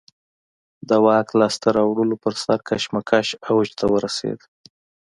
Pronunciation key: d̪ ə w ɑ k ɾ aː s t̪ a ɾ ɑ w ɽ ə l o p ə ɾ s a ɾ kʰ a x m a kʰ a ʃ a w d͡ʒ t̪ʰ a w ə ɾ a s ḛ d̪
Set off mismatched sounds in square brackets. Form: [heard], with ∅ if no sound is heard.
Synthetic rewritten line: d̪ ə w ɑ k [l] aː s t̪ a ɾ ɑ w ɽ ə l o p ə ɾ s a ɾ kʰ a [ʃ] m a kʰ a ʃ a w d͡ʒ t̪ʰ a w ə ɾ a s ḛ d̪